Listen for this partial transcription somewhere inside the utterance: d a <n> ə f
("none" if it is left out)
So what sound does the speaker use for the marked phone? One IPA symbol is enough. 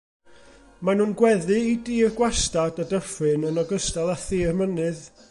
d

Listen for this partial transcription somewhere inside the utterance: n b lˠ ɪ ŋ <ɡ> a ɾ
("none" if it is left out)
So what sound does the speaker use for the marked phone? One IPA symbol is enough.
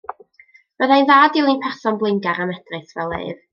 ɡ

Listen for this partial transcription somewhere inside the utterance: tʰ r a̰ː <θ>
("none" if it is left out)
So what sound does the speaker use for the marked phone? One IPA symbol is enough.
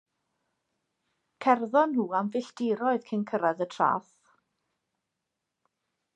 θ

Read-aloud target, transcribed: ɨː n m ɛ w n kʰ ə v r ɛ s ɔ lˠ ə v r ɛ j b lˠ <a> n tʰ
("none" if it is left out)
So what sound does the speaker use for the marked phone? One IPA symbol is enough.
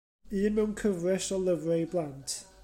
a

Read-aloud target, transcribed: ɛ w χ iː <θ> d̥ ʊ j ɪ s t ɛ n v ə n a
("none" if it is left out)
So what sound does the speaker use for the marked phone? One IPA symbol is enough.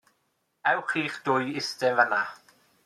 χ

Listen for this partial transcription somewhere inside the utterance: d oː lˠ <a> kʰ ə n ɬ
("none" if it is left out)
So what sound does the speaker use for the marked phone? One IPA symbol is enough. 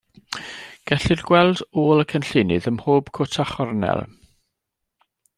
ə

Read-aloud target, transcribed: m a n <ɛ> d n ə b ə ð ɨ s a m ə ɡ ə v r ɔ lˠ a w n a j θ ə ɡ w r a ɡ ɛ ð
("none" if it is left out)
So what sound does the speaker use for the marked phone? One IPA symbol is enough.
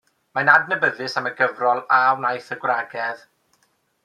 a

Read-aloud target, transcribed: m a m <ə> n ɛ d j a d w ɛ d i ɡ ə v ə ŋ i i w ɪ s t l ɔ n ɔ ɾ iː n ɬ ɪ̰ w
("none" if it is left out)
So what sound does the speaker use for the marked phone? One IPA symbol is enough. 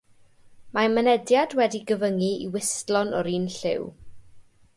ə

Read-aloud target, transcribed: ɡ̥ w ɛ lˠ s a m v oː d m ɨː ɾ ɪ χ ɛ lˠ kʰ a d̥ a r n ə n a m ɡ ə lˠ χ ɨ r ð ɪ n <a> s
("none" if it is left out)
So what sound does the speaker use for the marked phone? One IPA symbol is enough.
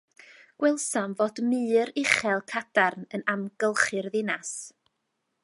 a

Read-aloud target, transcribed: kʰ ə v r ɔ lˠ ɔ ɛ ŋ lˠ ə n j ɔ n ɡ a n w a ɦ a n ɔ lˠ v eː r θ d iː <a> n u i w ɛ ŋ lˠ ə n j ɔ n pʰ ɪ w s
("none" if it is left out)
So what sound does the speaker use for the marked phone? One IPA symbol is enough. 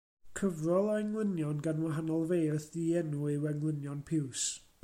ɛ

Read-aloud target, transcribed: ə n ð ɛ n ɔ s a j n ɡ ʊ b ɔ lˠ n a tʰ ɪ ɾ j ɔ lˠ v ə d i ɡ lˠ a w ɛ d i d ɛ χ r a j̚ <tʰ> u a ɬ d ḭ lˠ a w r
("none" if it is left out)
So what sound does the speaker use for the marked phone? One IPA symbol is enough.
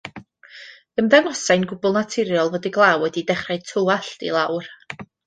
tʰ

